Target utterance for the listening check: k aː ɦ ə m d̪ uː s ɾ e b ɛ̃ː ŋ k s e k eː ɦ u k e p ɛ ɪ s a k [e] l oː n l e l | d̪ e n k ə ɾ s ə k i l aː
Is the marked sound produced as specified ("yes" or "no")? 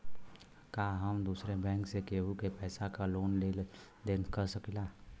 no